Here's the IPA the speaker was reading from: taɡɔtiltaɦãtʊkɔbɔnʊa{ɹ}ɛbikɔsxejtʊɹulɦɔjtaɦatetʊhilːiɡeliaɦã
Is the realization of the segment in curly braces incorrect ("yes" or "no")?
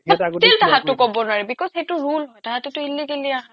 no